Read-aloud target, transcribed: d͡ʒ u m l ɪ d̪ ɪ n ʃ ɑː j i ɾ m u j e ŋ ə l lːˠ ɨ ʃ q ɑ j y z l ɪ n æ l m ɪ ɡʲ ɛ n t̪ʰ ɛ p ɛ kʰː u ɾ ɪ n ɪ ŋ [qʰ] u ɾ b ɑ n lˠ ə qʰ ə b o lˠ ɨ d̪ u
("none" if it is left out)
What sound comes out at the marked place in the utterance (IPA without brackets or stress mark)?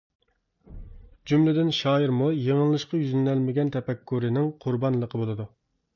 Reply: qʰ